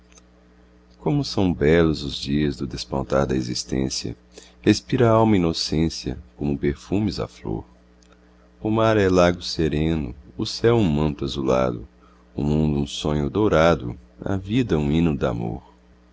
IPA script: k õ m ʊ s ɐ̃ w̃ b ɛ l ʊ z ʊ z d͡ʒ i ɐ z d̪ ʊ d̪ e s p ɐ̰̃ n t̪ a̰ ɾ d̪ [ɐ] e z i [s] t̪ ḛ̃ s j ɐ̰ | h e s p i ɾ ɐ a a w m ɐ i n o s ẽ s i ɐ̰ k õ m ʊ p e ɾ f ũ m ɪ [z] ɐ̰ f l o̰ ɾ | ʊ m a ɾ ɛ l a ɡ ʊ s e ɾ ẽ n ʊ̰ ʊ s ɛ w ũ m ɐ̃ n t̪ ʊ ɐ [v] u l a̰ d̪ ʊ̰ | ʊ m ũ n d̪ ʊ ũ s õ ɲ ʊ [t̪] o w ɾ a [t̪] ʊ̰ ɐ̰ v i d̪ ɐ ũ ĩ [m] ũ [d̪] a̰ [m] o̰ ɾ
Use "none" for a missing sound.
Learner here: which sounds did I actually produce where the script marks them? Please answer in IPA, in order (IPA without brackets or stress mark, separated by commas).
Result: ɐ, s, z, z, d̪, d̪, n, d̪, m